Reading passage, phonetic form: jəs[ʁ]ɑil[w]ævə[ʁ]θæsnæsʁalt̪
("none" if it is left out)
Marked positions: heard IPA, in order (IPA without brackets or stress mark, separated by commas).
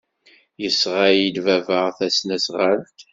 ʁ, v, ʁ